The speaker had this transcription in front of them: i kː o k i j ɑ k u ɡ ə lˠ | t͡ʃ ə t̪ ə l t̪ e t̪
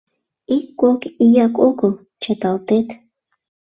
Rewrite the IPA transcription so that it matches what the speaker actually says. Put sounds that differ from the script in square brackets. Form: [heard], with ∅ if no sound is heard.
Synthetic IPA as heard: i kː o k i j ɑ k [o] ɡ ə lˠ | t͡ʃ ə t̪ [ɑ] l t̪ e t̪